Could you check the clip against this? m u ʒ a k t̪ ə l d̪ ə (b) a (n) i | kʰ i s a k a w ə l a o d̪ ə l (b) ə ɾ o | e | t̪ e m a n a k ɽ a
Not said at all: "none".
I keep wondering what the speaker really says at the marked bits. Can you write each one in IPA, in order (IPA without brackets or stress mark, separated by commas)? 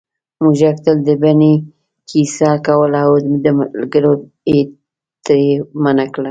b, n, ɡ